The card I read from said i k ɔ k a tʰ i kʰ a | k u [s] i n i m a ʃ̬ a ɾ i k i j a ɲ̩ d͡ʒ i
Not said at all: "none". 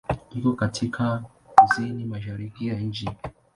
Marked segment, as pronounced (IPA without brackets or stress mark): z